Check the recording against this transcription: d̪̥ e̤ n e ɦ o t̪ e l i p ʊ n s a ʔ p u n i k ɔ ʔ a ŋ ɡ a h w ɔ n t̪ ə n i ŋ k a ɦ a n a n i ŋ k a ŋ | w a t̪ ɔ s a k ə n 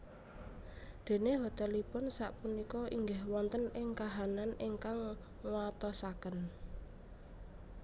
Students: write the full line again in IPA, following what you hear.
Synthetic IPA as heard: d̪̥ e̤ n e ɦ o t̪ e l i p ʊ n s a ʔ p u n i k ɔ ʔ i ŋ ɡ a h w ɔ n t̪ ə n ɪ ŋ k a ɦ a n a n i ŋ k a ŋ | w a t̪ ɔ s a k ə n